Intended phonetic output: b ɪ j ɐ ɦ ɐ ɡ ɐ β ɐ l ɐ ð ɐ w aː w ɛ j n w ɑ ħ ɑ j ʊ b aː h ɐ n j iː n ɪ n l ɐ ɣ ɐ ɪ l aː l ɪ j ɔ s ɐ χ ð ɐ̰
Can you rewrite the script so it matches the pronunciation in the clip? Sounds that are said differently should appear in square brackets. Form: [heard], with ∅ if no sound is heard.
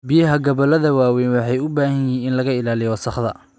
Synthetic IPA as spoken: b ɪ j ɐ ɦ ɐ ɡ ɐ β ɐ l ɐ ð ɐ w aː w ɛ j n w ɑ ħ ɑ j ʊ b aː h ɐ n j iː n ɪ n l ɐ ɣ ɐ ɪ l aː l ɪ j ɔ s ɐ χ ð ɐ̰